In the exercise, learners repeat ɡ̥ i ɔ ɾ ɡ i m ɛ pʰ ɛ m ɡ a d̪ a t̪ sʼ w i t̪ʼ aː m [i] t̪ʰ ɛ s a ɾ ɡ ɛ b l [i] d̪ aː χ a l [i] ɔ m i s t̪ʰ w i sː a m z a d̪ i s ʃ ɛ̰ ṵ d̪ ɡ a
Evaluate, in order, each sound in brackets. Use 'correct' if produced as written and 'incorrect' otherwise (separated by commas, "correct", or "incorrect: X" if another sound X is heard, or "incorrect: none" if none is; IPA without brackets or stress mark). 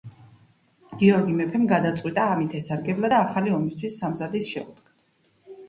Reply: correct, incorrect: a, correct